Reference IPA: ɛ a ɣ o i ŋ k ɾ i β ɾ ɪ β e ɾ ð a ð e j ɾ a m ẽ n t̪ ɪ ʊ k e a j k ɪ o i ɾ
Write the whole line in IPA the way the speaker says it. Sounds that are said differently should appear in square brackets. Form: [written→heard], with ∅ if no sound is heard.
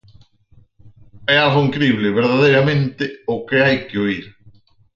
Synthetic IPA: ɛ a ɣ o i ŋ k ɾ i β [ɾ→l] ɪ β e ɾ ð a ð e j ɾ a m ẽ n t̪ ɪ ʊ k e a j k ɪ o i ɾ

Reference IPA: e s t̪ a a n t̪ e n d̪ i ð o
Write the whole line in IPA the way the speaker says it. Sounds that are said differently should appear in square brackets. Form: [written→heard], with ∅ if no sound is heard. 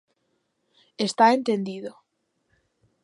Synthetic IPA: e s t̪ a [a→e] n t̪ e n d̪ i ð o

